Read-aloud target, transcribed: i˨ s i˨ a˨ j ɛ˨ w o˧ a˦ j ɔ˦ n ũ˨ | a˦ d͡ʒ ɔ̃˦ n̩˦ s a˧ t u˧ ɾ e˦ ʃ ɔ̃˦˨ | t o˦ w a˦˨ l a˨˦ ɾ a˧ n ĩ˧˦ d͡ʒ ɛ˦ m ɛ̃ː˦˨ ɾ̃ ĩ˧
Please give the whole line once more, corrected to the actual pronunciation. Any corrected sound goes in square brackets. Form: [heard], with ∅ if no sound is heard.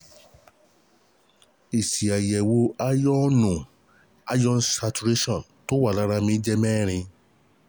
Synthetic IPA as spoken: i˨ s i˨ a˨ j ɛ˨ w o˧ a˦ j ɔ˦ n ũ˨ | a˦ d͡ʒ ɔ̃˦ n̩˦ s a˧ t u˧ ɾ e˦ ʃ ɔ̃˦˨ | t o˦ w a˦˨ l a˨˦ ɾ a˧ [m] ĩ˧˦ d͡ʒ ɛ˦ m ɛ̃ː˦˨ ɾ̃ ĩ˧